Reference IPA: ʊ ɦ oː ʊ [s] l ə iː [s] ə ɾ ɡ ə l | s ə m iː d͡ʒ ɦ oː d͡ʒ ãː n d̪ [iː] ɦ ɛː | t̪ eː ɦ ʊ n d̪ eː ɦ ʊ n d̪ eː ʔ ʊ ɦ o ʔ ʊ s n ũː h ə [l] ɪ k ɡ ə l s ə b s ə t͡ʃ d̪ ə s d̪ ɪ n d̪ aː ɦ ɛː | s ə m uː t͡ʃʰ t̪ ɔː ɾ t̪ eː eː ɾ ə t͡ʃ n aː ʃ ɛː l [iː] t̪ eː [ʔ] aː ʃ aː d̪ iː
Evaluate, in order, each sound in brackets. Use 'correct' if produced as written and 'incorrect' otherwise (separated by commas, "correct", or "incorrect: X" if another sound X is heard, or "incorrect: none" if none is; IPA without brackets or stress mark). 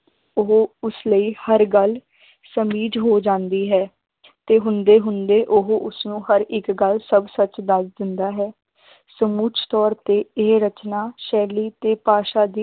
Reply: correct, incorrect: h, correct, incorrect: ɾ, correct, incorrect: p